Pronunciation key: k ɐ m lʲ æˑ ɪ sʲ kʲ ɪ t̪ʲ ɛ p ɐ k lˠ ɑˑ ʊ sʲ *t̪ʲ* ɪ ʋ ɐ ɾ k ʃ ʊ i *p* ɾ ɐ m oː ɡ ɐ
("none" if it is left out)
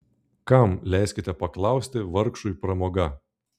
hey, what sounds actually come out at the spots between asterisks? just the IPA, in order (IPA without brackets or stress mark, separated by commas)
t̪ʲ, p